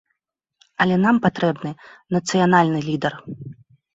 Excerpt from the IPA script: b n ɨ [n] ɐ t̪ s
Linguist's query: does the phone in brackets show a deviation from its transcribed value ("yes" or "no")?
no